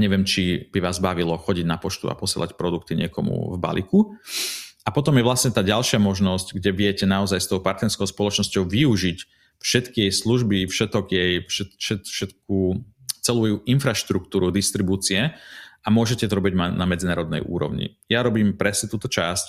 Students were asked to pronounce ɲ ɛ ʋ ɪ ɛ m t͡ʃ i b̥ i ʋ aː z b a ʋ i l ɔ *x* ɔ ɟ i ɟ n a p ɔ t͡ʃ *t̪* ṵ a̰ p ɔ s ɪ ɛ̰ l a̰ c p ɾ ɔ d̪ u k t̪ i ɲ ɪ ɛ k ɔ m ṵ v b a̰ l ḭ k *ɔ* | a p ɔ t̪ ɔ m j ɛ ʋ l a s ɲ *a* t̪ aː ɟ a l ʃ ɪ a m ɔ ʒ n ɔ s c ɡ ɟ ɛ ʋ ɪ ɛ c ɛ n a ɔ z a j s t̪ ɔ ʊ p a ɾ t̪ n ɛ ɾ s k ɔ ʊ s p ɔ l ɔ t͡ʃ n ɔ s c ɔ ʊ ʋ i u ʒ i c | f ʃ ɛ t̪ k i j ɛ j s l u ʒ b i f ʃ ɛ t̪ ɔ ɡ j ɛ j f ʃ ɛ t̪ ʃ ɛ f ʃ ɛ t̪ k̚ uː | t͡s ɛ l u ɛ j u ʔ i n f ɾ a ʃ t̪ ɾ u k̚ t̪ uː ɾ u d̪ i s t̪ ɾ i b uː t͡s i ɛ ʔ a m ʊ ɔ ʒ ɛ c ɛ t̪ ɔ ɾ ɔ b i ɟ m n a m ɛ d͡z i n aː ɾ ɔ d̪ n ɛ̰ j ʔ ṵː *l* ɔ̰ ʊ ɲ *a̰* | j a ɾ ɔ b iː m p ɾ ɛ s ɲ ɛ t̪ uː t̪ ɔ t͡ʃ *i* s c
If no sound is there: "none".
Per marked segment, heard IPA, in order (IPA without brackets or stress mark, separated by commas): x, t̪, u, ɛ, ɾ, ḭ, a